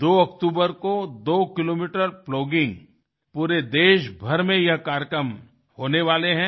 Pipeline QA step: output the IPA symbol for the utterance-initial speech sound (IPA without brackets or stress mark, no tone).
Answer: d̪